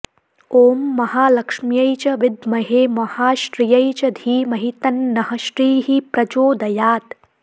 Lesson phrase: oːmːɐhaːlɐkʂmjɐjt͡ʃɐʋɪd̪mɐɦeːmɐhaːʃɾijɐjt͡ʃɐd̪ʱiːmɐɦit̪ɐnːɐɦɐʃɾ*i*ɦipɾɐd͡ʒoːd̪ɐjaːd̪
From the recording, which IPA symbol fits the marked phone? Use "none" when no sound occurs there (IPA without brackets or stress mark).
iː